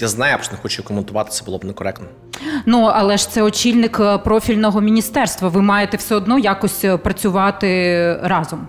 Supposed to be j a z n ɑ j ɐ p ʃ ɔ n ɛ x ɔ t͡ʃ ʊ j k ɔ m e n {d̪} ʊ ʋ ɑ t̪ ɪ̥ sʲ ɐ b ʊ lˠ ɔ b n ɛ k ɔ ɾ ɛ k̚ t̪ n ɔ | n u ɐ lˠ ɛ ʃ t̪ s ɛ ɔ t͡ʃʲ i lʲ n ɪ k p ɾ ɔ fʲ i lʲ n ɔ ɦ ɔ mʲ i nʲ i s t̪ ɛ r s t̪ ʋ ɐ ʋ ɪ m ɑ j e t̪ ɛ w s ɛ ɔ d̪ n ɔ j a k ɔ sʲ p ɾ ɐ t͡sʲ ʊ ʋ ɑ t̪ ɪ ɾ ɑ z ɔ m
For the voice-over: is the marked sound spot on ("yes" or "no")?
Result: no